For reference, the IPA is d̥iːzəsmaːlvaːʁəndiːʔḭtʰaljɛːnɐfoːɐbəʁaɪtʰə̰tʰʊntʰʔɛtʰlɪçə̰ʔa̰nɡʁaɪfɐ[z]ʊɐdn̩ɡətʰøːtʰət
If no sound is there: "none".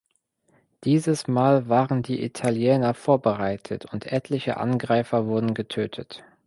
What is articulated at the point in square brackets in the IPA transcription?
v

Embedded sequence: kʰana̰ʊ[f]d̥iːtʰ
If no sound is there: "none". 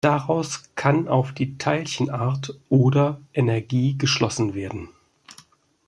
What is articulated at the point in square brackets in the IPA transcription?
f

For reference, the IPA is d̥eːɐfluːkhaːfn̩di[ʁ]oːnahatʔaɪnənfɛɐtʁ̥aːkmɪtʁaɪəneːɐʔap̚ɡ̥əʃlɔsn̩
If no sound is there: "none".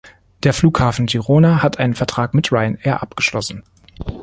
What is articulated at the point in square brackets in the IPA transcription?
ʁ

